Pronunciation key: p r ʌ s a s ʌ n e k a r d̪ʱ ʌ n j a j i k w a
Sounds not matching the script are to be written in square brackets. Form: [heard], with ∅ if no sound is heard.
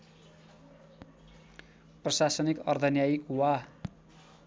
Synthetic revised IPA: p r ʌ s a s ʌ n [i] k [ʌ] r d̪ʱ ʌ n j a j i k w a